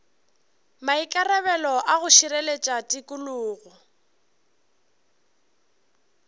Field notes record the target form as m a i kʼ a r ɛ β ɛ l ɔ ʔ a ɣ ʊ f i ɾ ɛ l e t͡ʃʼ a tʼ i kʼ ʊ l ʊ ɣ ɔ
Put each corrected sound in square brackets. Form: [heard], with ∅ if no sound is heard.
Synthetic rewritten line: m a i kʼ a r ɛ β ɛ l ɔ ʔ a ɣ ʊ [ʃ] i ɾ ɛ l e t͡ʃʼ a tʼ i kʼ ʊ l [ʊː] ɣ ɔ